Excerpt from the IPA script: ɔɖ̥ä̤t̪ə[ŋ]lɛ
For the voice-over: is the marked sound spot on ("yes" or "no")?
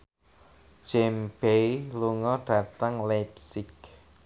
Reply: yes